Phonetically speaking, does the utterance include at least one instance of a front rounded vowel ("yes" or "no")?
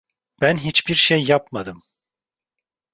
no